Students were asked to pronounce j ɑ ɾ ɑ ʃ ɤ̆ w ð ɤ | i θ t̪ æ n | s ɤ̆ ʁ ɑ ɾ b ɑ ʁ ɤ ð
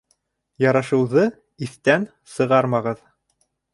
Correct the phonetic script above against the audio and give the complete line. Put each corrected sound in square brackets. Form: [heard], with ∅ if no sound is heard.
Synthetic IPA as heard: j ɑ ɾ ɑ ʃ ɤ̆ w ð ɤ | i θ t̪ æ n | s ɤ̆ ʁ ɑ ɾ [m] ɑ ʁ ɤ ð